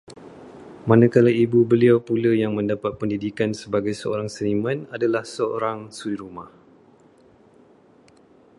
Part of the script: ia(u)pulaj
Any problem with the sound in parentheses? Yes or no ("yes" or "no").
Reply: yes